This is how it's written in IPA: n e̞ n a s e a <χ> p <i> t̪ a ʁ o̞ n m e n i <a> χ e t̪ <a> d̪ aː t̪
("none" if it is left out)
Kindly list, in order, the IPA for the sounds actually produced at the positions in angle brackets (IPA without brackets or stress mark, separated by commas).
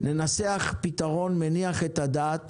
χ, i, a, a